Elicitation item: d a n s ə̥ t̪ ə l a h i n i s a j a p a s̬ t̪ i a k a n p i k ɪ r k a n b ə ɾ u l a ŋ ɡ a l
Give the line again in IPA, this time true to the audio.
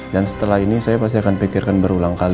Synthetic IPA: d a n s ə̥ t̪ ə l a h i n i s a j a p a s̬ t̪ i a k a n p i k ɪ r k a n b ə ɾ u l a ŋ k a l